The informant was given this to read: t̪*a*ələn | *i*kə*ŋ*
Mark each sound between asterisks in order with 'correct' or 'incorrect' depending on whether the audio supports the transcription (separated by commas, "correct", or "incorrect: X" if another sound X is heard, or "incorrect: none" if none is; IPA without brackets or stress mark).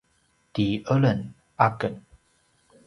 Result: incorrect: i, incorrect: a, incorrect: n